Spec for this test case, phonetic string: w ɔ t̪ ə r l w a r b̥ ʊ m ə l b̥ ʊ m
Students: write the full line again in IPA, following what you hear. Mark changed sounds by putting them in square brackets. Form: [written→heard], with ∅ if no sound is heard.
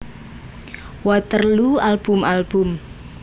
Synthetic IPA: w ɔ t̪ ə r l [w→u] a [r→l] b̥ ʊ m [ə→a] l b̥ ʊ m